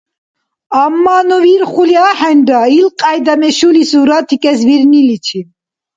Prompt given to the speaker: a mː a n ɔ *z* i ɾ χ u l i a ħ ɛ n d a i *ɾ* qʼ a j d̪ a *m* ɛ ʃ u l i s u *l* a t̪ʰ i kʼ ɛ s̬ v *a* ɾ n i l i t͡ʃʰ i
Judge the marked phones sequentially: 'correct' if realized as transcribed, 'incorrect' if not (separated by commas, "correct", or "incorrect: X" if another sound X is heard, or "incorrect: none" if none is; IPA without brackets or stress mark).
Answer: incorrect: v, incorrect: l, correct, incorrect: ɾ, incorrect: i